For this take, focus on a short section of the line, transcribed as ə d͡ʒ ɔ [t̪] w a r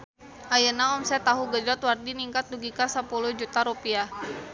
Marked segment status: correct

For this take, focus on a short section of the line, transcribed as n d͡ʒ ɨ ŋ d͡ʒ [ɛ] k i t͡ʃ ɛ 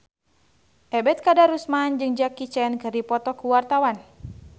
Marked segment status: incorrect: a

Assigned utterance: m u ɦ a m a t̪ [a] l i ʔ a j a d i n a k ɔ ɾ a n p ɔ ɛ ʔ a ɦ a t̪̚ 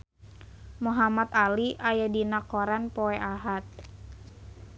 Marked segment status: correct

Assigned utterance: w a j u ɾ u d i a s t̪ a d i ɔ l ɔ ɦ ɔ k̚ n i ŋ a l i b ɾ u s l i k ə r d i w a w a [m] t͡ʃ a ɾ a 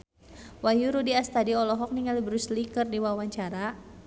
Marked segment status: incorrect: ɲ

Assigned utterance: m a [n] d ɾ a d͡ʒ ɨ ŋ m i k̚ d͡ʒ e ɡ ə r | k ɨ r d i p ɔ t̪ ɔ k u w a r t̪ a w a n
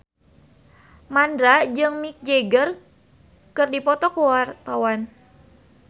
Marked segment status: correct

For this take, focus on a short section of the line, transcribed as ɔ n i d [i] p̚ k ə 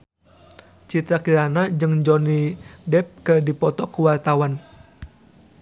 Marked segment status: incorrect: ɛ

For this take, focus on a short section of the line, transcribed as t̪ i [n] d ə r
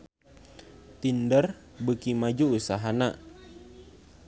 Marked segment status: correct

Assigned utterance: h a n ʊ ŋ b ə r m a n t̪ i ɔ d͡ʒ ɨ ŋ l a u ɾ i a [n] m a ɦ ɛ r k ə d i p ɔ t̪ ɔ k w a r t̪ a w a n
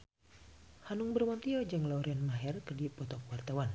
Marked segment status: correct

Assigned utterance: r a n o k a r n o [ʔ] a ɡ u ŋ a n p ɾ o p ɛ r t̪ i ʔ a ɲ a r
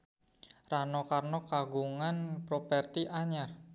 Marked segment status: incorrect: k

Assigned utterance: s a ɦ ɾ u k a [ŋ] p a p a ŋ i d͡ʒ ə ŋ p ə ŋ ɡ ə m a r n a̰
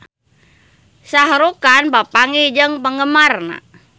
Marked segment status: incorrect: n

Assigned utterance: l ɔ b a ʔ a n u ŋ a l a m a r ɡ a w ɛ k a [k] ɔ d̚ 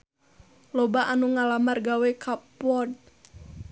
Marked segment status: incorrect: p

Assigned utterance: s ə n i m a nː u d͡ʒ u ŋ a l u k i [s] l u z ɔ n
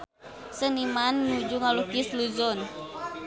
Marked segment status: correct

